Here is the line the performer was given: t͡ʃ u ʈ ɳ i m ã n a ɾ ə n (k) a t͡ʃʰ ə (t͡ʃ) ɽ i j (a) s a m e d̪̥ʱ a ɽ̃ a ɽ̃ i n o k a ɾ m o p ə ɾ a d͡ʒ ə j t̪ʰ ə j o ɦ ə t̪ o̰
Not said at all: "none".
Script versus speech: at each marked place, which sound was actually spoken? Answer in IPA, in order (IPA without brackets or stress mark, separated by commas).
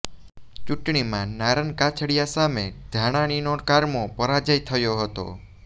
k, none, a